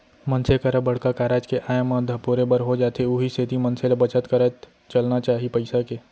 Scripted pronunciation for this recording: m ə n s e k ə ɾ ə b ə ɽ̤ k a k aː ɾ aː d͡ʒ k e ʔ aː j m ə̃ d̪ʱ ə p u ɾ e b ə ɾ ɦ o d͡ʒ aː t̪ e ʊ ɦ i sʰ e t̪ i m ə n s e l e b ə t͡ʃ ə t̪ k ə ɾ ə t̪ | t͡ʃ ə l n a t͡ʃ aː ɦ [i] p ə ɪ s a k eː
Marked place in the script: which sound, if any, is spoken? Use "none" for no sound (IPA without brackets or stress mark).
i